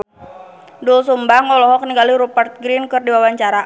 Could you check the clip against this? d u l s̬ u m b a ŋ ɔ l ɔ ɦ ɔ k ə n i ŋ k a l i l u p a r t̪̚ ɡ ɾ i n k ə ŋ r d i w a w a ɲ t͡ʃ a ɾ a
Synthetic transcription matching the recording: d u l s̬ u m b a ŋ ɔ l ɔ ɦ ɔ k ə n i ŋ ɡ a l i ɾ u p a r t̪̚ ɡ ɾ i n k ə r d i w a w a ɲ t͡ʃ a ɾ a